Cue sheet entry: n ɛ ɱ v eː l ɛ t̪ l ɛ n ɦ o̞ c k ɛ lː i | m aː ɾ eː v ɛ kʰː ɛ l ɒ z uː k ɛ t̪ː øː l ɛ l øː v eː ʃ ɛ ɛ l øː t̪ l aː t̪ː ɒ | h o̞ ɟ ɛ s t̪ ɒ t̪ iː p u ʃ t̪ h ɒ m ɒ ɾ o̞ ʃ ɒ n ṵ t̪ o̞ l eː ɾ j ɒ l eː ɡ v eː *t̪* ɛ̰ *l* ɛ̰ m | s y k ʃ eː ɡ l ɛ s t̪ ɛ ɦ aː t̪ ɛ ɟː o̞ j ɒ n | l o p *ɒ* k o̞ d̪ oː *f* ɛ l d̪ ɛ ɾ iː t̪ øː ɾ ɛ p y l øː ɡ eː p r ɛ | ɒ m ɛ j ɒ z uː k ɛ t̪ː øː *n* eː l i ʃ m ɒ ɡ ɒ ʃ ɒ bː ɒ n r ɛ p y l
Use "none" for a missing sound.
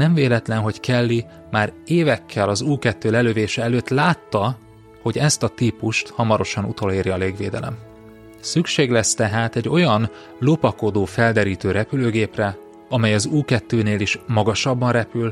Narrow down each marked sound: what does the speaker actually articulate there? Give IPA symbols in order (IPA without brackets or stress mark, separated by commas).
d̪, l, ɒ, f, n